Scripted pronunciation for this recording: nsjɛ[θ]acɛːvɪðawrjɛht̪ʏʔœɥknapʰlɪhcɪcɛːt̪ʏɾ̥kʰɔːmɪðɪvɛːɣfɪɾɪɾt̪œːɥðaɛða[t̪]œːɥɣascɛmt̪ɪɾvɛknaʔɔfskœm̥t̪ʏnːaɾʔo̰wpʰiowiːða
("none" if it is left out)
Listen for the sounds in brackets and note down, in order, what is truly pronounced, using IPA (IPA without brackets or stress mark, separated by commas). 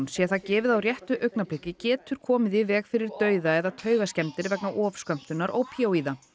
θ, t̪ʰ